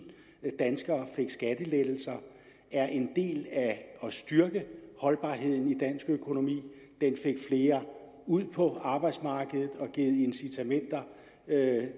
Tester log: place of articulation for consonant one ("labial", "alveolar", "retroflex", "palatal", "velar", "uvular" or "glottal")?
alveolar